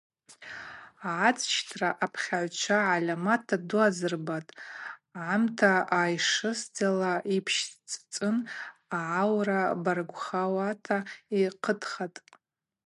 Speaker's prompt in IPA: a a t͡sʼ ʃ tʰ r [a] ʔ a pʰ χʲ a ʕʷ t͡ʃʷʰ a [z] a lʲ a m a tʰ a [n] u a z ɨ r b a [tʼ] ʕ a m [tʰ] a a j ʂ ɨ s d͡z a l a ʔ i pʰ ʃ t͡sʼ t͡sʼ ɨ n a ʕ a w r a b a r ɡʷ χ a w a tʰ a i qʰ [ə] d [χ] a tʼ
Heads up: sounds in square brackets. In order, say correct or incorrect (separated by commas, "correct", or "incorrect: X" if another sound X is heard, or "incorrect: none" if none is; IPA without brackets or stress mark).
correct, incorrect: ʕ, incorrect: d, correct, correct, correct, correct